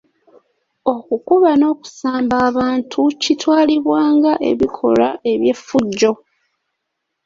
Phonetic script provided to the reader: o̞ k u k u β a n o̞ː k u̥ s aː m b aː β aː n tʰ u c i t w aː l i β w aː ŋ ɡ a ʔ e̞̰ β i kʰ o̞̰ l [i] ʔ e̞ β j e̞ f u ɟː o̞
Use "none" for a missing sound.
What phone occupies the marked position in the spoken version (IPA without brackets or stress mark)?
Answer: a